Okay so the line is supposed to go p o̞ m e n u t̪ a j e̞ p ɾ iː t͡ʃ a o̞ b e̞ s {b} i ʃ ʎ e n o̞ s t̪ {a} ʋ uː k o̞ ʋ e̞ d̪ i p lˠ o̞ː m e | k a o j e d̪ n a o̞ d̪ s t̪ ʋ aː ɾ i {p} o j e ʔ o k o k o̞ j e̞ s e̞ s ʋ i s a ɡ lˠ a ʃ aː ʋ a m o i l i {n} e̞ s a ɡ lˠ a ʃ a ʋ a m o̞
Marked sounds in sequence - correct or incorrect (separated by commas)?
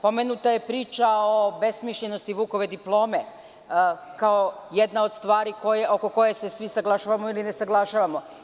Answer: incorrect, incorrect, incorrect, correct